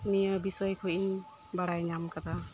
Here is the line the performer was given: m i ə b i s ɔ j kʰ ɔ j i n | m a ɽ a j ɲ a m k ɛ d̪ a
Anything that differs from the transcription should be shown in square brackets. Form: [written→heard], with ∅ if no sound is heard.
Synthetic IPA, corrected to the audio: m i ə b i s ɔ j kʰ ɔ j i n | [m→b] a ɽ a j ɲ a m k [ɛ→a] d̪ a